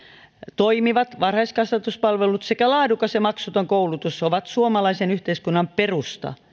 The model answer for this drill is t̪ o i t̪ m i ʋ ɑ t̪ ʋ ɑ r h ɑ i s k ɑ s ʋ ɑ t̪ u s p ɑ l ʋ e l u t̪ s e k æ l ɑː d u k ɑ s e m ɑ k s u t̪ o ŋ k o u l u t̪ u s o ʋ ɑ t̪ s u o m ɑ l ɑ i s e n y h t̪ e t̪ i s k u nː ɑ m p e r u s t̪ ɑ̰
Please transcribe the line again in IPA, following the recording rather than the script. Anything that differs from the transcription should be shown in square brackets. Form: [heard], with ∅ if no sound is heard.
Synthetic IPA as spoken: t̪ o i [∅] m i ʋ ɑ t̪ ʋ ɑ r h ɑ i s k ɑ s ʋ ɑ t̪ u s p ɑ l ʋ e l u t̪ s e k æ l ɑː d u k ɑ s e m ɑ k s u t̪ o ŋ k o u l u t̪ u s o ʋ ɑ t̪ s u o m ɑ l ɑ i s e n y h t̪ e [∅] i s k u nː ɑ m p e r u s t̪ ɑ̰